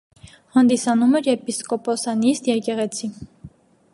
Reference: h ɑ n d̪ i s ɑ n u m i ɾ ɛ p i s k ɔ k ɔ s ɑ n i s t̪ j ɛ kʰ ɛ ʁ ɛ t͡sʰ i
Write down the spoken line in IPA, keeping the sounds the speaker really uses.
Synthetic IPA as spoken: h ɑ n d̪ i s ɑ n u m ɛ ɾ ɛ p i s k ɔ p ɔ s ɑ n i s t̪ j ɛ k ɛ ʁ ɛ t͡sʰ i